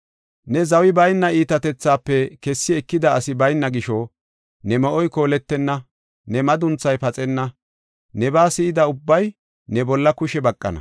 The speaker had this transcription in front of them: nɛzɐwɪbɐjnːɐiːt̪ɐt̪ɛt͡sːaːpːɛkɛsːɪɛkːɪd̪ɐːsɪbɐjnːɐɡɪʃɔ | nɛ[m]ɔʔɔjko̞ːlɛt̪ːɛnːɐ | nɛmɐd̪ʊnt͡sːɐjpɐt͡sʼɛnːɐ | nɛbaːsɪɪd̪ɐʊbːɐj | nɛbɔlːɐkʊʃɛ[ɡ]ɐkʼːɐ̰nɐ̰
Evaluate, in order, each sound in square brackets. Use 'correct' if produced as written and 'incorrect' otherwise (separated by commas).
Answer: correct, incorrect